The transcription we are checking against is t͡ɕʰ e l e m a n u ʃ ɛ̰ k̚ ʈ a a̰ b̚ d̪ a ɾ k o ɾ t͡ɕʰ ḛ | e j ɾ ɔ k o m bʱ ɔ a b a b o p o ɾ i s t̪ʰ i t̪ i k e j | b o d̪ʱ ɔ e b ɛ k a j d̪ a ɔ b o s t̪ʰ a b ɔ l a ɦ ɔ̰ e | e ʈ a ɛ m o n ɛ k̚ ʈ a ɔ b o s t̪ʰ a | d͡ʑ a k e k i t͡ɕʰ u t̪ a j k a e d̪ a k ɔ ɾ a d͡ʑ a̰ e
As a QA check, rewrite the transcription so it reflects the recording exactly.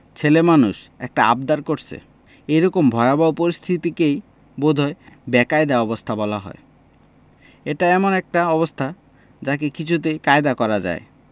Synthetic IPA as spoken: t͡ɕʰ e l e m a n u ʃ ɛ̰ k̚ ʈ a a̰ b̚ d̪ a ɾ k o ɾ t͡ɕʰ ḛ | e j ɾ ɔ k o m bʱ ɔ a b a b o p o ɾ i s t̪ʰ i t̪ i k e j | b o d̪ʱ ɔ e b ɛ k a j d̪ a ɔ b o s t̪ʰ a b ɔ l a ɦ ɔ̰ e | e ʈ a ɛ m o n ɛ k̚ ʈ a ɔ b o s t̪ʰ a | d͡ʑ a k e k i t͡ɕʰ u t̪ e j k a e d̪ a k ɔ ɾ a d͡ʑ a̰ e